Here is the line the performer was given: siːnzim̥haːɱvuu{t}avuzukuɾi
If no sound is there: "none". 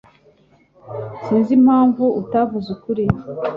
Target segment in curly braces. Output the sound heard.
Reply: t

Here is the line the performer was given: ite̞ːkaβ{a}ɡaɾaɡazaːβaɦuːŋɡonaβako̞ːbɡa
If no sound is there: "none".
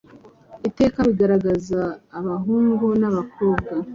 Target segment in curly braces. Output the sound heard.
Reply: i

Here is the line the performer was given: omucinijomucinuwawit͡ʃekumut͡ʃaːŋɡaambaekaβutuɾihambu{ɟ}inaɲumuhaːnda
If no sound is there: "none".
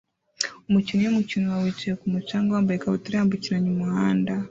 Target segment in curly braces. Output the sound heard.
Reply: c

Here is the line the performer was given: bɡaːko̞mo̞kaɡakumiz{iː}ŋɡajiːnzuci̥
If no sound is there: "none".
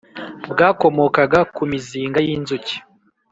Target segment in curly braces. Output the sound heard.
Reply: iː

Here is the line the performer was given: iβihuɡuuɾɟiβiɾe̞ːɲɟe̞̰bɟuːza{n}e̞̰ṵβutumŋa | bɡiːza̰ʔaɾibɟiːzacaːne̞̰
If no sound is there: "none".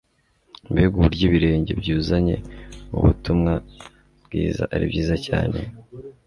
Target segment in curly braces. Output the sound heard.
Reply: ɲ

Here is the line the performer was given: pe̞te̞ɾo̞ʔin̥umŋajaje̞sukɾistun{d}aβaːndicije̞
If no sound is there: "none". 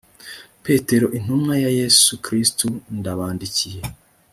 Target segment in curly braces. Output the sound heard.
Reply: d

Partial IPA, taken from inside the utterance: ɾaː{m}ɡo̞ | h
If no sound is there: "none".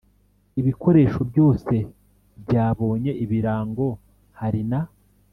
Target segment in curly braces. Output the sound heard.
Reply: ŋ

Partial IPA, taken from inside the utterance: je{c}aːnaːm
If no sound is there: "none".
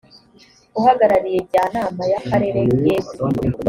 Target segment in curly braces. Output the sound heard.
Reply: ɟ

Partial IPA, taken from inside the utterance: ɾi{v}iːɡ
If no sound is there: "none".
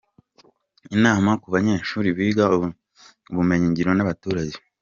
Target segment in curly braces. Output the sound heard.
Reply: β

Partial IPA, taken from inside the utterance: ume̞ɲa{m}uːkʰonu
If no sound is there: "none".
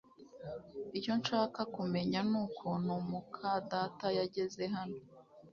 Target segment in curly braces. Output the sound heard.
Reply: n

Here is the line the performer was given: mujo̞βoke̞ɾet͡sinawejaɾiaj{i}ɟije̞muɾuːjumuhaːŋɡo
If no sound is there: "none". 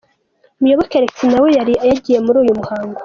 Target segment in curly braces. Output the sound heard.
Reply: a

